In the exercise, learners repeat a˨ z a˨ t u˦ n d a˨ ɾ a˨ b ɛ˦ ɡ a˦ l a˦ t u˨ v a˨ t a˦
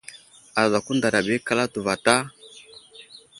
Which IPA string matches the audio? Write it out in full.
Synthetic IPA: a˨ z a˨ k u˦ n d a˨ ɾ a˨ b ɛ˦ k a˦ l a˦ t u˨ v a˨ t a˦